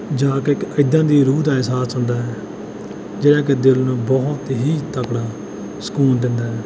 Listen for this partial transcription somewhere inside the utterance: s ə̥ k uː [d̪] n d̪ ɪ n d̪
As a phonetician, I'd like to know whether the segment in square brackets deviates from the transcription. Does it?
yes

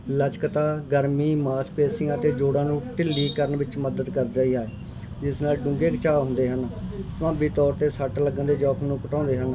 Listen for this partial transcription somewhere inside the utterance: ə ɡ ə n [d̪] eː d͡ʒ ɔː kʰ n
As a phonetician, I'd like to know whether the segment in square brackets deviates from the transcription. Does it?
no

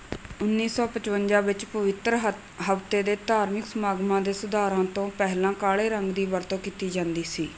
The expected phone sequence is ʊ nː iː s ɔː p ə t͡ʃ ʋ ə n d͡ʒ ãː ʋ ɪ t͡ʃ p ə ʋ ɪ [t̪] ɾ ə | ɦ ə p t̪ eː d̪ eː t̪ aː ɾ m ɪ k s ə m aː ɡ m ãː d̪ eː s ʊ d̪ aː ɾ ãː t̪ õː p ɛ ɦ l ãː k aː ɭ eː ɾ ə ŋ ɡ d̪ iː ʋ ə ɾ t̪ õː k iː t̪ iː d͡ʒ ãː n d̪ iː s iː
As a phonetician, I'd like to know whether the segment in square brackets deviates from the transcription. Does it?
no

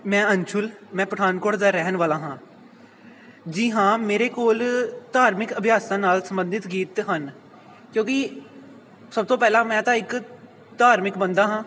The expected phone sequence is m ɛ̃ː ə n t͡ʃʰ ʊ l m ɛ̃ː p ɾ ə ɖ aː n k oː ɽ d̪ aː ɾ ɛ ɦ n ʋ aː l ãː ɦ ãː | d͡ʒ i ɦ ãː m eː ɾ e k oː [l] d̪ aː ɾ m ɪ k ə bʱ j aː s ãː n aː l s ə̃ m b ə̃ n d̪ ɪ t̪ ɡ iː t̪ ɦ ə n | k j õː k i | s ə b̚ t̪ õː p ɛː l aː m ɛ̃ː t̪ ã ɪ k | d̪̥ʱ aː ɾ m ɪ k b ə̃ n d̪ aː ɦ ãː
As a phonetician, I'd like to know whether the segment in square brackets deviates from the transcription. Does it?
no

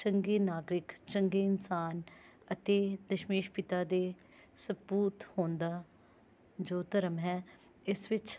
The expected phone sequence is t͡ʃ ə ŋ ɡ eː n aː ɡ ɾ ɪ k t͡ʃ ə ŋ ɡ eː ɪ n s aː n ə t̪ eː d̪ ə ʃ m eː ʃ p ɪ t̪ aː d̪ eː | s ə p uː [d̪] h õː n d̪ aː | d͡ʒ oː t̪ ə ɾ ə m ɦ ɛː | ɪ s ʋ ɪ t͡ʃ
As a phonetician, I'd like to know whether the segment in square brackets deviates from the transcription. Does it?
yes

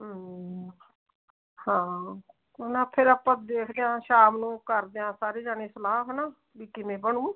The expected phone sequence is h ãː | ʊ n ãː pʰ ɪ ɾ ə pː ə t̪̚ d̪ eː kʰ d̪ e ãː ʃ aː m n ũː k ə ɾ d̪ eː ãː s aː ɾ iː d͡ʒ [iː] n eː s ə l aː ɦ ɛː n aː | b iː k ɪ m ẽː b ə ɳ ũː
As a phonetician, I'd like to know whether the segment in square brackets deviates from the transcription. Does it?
yes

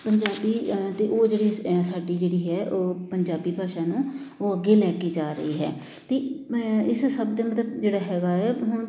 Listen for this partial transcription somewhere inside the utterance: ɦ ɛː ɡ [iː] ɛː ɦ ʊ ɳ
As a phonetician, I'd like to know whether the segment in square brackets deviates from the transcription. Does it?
yes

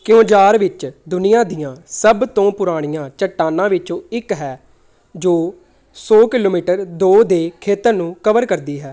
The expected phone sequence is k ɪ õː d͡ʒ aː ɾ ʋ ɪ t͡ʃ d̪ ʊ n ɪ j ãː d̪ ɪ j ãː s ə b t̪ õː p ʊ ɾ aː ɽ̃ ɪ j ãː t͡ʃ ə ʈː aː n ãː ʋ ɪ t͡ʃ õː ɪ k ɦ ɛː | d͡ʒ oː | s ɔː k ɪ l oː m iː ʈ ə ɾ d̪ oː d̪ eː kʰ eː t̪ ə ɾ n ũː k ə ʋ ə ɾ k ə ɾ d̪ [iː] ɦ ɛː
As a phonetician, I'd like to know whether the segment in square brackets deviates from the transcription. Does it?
no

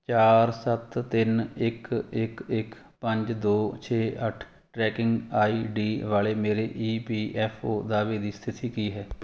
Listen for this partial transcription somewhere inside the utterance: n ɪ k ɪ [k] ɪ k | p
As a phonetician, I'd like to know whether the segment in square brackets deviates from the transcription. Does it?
no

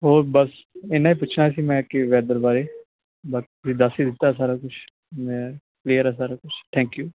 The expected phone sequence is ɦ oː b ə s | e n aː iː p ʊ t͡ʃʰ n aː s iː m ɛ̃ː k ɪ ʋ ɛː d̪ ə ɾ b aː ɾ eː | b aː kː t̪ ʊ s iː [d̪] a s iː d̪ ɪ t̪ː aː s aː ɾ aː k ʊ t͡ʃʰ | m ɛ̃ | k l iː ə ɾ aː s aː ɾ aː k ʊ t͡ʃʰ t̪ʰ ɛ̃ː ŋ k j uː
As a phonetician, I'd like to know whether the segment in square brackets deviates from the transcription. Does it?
no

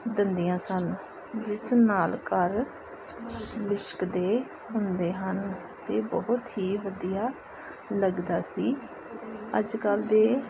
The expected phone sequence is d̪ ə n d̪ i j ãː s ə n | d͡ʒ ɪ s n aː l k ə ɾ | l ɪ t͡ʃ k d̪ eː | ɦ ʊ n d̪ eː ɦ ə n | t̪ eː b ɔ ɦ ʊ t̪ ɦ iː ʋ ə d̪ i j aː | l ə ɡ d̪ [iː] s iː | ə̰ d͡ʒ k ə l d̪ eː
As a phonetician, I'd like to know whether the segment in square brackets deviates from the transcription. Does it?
yes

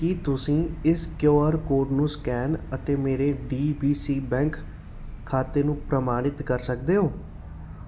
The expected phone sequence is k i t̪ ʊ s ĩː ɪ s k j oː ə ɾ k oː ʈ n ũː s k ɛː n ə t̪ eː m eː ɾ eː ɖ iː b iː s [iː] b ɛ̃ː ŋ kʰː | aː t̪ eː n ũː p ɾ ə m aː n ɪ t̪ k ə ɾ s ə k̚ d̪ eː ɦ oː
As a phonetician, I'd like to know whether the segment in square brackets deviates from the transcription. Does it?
no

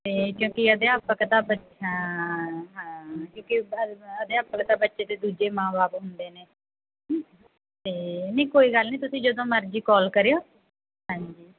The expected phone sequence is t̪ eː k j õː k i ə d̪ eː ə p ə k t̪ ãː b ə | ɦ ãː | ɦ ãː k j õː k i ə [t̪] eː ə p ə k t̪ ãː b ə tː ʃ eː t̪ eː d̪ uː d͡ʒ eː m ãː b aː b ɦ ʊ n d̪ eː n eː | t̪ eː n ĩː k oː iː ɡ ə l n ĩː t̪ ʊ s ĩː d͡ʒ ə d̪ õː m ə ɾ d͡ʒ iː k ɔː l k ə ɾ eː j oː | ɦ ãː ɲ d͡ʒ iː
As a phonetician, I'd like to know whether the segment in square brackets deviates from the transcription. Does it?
yes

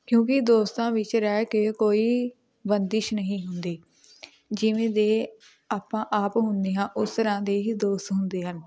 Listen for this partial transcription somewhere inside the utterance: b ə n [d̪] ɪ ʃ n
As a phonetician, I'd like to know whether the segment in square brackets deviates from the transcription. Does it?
no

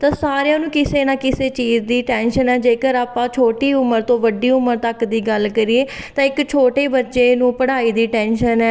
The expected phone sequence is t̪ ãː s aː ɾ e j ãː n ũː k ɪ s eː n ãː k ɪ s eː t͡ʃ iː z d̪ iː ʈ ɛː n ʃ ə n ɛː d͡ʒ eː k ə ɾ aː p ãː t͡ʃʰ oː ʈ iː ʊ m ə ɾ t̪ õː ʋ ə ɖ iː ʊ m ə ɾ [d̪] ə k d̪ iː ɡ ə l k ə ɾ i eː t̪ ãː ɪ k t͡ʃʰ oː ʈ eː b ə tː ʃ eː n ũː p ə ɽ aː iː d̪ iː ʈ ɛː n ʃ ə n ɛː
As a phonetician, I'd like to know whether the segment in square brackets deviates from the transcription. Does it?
yes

